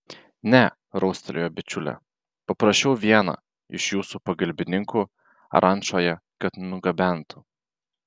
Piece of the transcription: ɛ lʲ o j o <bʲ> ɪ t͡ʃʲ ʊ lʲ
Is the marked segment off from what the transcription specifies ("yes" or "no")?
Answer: no